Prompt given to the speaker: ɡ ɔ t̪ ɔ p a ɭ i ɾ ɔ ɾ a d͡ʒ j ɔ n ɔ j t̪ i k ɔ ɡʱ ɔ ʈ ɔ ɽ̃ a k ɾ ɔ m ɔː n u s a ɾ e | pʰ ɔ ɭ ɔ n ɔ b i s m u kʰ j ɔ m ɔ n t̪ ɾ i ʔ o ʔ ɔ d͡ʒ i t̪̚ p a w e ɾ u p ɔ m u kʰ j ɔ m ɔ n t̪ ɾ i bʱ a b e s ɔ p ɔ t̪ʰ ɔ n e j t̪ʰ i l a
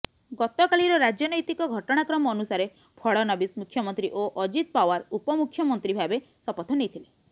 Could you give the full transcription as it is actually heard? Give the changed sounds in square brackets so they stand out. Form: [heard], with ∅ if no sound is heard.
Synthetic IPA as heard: ɡ ɔ t̪ ɔ [k] a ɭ i ɾ ɔ ɾ a d͡ʒ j ɔ n ɔ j t̪ i k ɔ ɡʱ ɔ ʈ ɔ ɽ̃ a k ɾ ɔ m ɔː n u s a ɾ e | pʰ ɔ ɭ ɔ n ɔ b i s m u kʰ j ɔ m ɔ n t̪ ɾ i ʔ o ʔ ɔ d͡ʒ i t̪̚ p a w [a] ɾ u p ɔ m u kʰ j ɔ m ɔ n t̪ ɾ i bʱ a b e s ɔ p ɔ t̪ʰ ɔ n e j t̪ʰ i l [e]